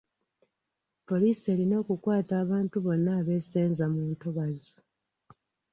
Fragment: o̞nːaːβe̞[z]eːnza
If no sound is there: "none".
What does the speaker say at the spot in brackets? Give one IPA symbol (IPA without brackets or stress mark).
s